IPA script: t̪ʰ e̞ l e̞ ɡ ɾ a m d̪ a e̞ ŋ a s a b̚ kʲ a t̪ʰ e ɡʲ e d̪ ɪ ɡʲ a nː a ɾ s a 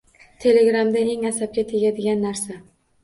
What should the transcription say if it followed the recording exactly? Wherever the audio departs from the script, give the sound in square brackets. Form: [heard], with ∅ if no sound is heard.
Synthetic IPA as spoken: t̪ʰ e̞ l e̞ ɡ ɾ a m d̪ a e̞ ŋ a s a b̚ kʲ a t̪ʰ e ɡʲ [a] d̪ ɪ ɡʲ a nː a ɾ s a